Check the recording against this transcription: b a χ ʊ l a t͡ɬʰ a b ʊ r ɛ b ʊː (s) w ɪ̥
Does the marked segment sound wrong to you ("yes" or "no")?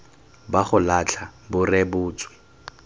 yes